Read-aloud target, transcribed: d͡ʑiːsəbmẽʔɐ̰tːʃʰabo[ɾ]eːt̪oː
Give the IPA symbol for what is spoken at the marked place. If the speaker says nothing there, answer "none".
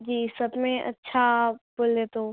l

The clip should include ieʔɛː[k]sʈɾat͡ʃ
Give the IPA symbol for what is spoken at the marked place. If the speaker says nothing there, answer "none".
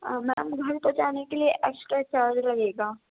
k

